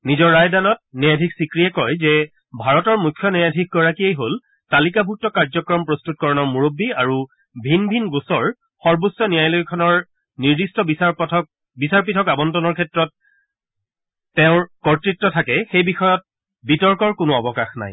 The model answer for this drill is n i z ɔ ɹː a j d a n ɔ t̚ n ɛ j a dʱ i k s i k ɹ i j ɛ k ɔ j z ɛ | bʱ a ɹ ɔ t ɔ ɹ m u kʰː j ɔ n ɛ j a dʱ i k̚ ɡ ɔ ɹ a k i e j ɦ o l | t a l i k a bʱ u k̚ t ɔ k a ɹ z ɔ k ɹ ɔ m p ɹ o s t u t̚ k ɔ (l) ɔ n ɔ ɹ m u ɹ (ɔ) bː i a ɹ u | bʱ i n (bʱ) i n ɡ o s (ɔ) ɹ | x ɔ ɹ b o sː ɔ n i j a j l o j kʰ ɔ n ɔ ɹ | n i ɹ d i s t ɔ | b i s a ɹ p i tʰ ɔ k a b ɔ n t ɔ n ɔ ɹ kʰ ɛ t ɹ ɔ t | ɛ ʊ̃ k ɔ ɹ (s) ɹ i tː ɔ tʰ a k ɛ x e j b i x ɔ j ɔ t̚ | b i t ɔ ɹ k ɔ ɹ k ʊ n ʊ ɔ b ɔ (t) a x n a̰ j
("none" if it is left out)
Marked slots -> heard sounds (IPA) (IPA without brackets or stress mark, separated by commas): ɹ, o, bʱ, ɔ, t, k